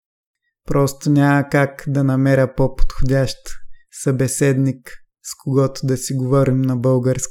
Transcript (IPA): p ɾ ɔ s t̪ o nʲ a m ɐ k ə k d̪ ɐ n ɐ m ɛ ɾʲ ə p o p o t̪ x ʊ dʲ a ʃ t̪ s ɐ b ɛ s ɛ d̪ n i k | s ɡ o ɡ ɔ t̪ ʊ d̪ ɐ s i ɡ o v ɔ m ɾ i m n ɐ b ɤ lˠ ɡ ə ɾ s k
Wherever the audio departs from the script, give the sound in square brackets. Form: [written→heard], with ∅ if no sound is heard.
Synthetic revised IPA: p ɾ ɔ s t̪ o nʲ a m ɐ k [ə→a] k d̪ ɐ n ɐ m ɛ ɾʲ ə p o p o t̪ x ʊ dʲ a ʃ t̪ s ɐ b ɛ s ɛ d̪ n i k | s [ɡ→k] o ɡ ɔ t̪ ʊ d̪ ɐ s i ɡ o v ɔ [m→∅] ɾ i m n ɐ b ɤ lˠ ɡ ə ɾ s k